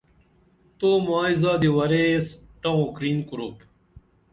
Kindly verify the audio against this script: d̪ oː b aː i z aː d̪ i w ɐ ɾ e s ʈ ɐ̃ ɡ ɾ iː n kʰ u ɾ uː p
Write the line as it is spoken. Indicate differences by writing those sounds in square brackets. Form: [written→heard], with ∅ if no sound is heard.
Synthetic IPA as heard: [d̪→t̪] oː [b→m] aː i z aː d̪ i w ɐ ɾ e s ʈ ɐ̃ [ɡ→k] ɾ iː n [kʰ→k] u ɾ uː p